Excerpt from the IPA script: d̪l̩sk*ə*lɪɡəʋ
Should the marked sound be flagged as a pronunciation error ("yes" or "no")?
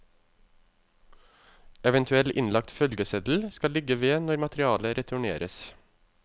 yes